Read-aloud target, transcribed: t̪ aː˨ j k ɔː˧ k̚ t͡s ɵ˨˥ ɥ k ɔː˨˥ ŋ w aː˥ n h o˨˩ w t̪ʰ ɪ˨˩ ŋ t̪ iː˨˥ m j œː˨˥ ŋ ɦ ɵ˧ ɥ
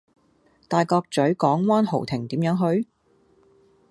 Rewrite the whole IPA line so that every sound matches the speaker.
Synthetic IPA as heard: t̪ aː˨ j k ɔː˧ k̚ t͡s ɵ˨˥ ɥ k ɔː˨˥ ŋ w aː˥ n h o˨˩ w t̪ʰ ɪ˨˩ ŋ t̪ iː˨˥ m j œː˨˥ ŋ ɦ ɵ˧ ɥ